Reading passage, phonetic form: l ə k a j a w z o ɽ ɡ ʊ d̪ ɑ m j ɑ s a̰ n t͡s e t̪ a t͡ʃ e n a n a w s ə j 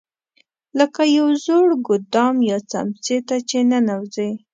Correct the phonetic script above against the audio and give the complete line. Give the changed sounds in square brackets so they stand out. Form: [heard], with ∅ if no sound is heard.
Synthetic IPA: l ə k a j a w z o ɽ ɡ ʊ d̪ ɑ m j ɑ [t͡s] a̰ [m] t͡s e t̪ a t͡ʃ e n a n a w [z] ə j